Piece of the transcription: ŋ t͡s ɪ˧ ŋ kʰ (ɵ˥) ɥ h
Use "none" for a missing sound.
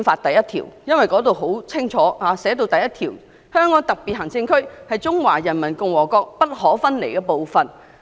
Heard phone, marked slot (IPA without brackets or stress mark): ɵ˥